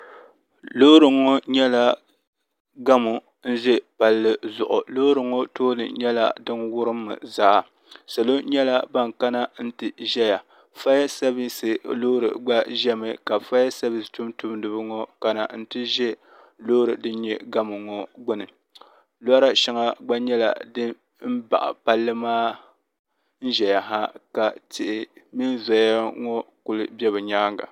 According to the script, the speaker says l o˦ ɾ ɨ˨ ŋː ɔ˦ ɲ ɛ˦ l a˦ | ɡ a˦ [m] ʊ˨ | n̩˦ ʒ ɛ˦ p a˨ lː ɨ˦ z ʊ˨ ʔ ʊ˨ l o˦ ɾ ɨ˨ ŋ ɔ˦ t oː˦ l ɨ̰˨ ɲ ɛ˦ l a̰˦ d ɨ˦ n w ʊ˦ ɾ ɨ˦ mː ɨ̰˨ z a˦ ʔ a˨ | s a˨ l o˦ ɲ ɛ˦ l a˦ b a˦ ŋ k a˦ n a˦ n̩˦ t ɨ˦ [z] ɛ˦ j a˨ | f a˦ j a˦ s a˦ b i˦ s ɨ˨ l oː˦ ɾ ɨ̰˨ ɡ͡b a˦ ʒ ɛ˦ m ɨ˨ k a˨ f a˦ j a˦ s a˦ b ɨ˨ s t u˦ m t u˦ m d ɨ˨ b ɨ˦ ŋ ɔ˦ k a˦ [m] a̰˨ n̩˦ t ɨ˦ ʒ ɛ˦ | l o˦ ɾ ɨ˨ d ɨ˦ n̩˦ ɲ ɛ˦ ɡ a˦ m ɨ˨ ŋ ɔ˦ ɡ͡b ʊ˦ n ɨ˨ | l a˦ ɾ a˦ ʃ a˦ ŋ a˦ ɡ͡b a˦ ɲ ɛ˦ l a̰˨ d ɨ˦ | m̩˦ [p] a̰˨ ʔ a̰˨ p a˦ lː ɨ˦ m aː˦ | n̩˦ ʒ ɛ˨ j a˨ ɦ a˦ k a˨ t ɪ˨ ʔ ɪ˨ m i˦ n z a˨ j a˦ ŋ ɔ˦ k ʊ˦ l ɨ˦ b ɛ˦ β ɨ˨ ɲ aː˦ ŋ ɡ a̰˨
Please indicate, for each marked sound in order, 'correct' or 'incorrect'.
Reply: correct, incorrect, incorrect, incorrect

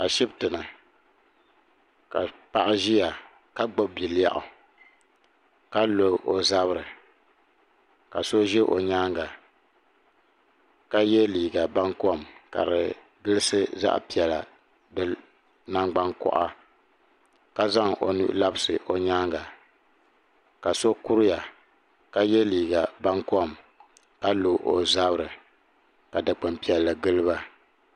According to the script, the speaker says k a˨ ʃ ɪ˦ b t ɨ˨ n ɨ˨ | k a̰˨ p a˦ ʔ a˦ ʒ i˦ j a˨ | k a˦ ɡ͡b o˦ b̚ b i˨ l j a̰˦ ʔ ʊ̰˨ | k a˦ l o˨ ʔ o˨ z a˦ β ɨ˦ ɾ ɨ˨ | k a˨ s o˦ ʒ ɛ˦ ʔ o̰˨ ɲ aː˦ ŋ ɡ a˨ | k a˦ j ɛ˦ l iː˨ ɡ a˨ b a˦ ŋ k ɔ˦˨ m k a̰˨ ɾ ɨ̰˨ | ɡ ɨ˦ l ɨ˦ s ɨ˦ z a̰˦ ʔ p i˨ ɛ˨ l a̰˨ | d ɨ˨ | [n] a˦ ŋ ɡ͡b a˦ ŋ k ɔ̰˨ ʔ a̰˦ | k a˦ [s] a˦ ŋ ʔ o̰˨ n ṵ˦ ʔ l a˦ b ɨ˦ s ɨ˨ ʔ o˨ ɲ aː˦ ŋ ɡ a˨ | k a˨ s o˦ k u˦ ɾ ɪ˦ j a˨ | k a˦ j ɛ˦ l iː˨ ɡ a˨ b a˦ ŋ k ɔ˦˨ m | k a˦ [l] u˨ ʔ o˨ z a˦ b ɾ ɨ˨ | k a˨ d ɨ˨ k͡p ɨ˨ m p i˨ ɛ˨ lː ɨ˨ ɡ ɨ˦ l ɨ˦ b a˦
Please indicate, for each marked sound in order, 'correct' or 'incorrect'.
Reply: correct, incorrect, correct

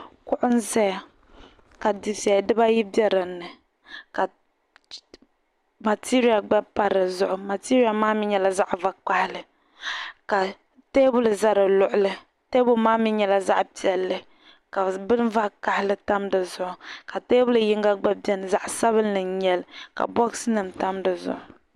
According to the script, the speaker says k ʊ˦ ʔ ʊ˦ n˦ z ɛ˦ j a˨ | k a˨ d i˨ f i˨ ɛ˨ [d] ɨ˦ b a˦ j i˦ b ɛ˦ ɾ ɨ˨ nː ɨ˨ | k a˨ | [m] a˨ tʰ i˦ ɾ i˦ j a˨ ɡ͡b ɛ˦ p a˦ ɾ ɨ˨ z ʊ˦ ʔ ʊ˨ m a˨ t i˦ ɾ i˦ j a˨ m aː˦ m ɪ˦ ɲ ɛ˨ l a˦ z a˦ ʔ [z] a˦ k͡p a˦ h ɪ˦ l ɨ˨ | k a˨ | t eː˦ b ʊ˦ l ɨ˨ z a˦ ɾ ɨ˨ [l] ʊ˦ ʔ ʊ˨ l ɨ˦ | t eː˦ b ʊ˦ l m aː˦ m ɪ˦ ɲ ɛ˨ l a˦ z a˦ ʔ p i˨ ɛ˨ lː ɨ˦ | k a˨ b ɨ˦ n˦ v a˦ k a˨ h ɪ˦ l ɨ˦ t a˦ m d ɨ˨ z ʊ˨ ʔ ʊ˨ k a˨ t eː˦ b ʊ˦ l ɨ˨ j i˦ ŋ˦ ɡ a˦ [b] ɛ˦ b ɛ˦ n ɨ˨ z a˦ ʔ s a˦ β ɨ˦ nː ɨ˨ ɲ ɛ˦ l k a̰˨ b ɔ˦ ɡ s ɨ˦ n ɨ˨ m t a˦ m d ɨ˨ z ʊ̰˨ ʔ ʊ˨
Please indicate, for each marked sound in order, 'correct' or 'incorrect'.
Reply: correct, correct, incorrect, correct, incorrect

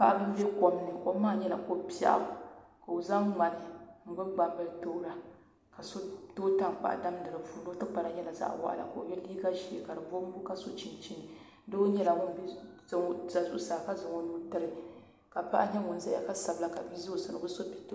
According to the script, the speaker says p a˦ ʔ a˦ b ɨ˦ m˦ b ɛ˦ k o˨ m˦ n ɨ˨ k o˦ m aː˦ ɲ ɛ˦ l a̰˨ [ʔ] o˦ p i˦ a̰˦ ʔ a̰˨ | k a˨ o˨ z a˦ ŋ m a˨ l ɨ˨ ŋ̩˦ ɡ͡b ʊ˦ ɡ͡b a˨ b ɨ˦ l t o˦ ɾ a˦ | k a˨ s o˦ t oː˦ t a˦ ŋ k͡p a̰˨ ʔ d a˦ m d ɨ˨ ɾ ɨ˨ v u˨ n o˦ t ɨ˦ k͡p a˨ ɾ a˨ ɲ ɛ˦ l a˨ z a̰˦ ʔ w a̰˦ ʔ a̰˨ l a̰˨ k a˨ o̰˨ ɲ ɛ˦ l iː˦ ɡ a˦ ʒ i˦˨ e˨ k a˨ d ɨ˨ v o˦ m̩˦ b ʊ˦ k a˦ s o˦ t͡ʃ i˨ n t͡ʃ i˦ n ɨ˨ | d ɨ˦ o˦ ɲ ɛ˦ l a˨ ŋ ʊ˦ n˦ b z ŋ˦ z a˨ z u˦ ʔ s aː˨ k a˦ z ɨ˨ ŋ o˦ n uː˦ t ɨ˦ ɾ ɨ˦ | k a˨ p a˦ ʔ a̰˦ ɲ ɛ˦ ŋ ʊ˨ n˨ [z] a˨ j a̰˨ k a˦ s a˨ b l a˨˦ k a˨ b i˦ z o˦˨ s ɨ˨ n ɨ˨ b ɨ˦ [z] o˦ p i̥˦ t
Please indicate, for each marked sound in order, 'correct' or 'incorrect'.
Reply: incorrect, correct, incorrect

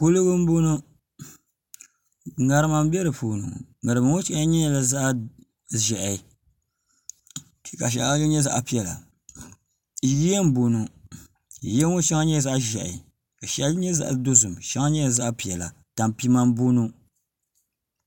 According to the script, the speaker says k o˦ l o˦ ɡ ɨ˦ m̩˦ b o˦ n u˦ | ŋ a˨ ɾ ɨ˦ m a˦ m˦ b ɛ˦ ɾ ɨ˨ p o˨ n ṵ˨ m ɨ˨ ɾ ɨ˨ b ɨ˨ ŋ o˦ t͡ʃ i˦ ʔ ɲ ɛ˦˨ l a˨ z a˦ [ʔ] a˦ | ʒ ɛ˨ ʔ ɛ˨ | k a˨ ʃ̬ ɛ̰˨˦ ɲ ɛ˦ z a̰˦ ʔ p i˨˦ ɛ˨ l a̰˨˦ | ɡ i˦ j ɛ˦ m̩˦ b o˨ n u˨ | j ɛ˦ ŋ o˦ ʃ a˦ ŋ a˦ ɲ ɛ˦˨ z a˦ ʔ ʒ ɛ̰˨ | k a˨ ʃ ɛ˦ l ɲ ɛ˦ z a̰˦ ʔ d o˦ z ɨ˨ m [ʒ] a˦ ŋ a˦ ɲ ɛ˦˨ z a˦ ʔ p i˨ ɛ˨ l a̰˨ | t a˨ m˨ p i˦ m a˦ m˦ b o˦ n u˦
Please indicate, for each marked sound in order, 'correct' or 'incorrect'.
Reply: correct, incorrect

